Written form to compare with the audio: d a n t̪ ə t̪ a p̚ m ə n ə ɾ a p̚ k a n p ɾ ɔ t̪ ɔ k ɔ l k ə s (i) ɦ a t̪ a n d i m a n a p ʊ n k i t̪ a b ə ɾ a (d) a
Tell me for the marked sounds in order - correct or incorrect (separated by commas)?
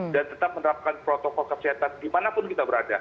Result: correct, correct